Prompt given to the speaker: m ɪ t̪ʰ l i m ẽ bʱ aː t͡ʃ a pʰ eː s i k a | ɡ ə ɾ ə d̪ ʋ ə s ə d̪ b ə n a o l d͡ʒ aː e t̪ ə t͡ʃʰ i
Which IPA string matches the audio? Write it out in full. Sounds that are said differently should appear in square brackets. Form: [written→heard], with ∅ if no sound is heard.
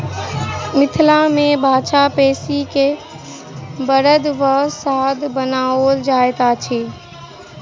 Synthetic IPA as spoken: m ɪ t̪ʰ l [i→a] m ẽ bʱ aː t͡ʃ a [pʰ→p] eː s i k [a→e] | [ɡ→b] ə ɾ ə d̪ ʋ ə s [ə→a] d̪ b ə n a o l d͡ʒ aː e t̪ [ə→a] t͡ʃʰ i